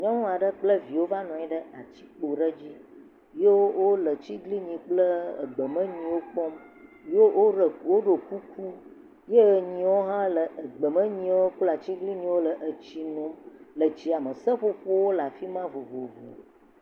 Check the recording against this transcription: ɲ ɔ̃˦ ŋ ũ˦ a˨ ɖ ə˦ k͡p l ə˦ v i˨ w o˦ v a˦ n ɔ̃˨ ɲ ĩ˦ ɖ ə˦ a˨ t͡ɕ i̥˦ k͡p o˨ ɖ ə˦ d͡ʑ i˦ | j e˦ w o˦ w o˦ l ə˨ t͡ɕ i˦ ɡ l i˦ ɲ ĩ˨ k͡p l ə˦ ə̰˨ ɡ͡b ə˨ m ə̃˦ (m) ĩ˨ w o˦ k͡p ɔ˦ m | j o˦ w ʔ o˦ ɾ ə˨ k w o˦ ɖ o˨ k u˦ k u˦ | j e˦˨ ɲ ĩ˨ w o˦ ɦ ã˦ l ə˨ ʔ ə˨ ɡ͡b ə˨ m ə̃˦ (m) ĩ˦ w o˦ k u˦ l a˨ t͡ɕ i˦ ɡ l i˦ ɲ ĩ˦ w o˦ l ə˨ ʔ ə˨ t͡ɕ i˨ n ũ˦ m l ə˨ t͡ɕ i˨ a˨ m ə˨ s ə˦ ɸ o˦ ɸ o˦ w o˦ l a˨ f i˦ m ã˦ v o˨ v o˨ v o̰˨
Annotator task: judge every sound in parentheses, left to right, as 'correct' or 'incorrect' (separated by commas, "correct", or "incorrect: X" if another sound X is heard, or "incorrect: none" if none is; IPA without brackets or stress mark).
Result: incorrect: ɲ, incorrect: ɲ